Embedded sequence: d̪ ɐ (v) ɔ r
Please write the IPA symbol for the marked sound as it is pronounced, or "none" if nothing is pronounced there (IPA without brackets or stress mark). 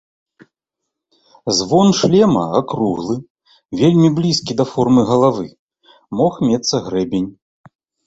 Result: f